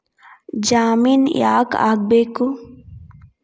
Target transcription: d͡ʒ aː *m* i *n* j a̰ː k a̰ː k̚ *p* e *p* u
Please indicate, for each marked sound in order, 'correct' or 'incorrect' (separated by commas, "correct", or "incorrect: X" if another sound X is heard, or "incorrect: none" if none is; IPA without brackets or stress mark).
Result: correct, correct, incorrect: b, incorrect: k